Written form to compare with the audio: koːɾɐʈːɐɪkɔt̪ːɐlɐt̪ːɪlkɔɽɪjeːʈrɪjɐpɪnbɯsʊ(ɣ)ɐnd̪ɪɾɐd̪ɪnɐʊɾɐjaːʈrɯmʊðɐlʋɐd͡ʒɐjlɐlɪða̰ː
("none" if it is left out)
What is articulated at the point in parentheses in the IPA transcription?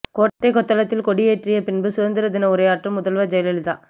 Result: ð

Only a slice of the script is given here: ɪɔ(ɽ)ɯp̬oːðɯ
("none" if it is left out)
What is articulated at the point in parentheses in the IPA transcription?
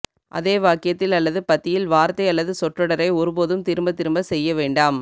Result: ɾ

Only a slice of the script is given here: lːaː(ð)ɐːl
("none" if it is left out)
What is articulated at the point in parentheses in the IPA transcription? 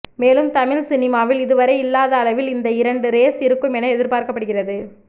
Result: ð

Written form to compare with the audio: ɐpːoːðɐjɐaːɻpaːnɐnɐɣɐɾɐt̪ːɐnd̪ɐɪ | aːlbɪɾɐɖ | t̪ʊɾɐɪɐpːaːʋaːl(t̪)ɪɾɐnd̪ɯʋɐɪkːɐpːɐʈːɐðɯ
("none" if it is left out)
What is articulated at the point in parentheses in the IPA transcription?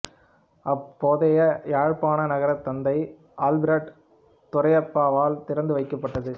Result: t̪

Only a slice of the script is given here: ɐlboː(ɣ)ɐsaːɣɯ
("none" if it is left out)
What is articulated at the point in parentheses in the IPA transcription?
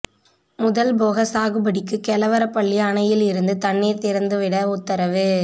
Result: ɣ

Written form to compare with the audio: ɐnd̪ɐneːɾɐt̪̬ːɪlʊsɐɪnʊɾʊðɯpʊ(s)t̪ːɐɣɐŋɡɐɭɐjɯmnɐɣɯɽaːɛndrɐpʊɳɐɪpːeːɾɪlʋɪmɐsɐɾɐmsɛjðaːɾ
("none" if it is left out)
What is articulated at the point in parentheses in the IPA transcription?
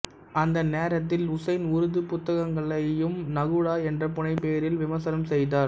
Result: none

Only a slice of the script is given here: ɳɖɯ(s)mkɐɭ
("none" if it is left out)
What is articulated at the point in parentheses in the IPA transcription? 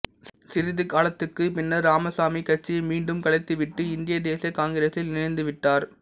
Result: none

